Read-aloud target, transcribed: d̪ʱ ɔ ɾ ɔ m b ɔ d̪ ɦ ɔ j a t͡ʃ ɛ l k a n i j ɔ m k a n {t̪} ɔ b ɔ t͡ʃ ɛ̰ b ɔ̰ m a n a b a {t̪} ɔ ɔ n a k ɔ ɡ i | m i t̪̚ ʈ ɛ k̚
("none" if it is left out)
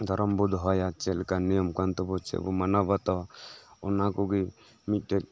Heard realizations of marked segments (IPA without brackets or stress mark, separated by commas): t̪, t̪